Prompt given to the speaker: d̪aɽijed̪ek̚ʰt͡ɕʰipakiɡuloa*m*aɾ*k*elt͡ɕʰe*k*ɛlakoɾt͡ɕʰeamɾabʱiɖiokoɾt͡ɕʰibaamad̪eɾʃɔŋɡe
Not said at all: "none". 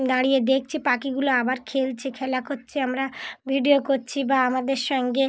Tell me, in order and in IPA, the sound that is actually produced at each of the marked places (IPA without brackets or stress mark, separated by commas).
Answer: b, kʰ, kʰ